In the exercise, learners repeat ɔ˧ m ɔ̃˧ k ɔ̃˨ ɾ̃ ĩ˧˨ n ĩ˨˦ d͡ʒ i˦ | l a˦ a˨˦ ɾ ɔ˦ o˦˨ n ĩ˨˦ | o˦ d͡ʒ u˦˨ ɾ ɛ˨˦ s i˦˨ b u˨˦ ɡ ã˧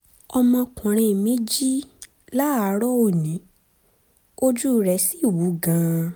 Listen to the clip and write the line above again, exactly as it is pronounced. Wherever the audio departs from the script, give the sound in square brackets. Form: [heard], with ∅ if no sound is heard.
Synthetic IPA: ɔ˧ m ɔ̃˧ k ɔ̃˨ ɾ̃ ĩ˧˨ [m] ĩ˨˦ d͡ʒ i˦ | l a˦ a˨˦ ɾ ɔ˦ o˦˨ n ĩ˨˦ | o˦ d͡ʒ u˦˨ ɾ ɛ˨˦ s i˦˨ [w] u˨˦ ɡ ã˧